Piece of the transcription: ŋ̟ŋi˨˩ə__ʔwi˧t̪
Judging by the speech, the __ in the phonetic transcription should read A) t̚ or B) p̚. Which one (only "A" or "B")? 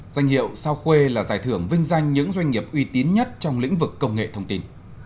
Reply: B